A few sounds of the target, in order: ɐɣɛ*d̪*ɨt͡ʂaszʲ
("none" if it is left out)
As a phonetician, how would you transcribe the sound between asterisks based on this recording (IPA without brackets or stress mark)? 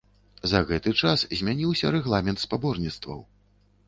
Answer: t̪